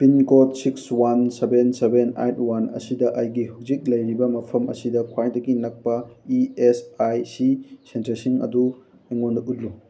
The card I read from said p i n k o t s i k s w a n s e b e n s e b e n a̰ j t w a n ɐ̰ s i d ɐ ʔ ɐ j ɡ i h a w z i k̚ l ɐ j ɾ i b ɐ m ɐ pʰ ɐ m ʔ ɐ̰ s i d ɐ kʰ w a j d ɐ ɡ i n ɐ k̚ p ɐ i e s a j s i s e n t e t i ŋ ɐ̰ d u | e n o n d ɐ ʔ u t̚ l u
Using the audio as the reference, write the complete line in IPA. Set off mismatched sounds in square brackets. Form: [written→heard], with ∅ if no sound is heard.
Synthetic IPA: p i n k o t s i k s w a n s e b e n s e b e n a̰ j t w a n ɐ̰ s i d ɐ ʔ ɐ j ɡ i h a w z i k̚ l ɐ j ɾ i b ɐ m ɐ pʰ ɐ m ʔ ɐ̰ s i d ɐ kʰ w a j d ɐ ɡ i n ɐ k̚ p ɐ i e s a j s i s e n t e [t→s] i ŋ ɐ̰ d u | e [n→ŋ] o n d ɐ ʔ u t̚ l u